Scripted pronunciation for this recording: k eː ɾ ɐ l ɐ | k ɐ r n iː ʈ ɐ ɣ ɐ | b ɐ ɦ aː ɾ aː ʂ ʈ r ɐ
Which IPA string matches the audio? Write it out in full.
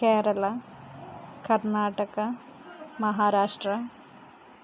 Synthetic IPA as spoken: k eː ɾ ɐ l ɐ | k ɐ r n aː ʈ ɐ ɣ ɐ | m ɐ ɦ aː ɾ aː ʂ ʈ r ɐ